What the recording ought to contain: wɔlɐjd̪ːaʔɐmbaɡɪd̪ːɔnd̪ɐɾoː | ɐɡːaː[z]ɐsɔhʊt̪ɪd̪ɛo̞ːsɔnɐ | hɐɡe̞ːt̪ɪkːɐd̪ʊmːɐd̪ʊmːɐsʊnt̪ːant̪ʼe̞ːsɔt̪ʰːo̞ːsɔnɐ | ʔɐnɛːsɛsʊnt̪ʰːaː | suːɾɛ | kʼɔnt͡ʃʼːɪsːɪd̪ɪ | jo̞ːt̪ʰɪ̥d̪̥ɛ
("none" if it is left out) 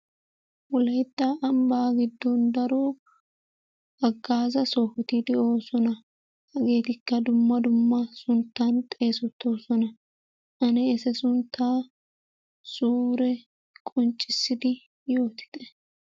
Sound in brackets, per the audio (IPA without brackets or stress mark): z